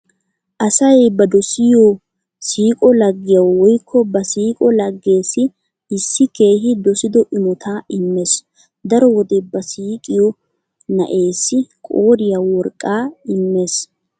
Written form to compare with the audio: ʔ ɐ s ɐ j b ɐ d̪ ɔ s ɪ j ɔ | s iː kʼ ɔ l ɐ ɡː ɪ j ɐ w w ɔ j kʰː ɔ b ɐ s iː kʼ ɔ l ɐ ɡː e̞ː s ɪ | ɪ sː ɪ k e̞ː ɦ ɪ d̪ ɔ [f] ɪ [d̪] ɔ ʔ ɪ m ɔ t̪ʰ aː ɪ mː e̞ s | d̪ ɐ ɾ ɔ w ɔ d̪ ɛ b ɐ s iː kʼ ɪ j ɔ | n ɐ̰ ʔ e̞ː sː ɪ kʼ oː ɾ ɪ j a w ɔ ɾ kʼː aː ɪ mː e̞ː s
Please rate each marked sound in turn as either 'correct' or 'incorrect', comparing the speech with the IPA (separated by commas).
incorrect, correct